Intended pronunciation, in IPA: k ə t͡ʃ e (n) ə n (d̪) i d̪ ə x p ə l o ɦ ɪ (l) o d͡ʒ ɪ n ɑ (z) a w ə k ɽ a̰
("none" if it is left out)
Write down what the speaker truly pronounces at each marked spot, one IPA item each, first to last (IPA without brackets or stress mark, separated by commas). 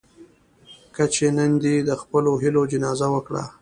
n, d̪, l, z